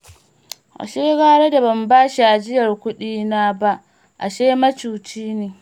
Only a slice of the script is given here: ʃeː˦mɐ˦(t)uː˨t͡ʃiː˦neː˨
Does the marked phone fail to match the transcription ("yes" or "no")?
yes